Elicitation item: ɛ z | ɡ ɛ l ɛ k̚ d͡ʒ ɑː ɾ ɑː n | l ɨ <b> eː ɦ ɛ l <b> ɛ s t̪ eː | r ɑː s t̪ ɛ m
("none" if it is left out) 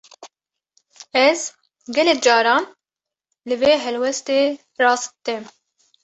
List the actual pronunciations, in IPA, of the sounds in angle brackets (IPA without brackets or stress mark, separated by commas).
v, w